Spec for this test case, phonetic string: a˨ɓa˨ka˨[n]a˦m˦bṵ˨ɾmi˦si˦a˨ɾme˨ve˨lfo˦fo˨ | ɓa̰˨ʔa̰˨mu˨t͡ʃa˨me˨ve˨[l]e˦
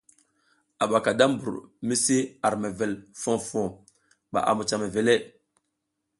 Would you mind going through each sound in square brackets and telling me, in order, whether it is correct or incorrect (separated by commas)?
incorrect, correct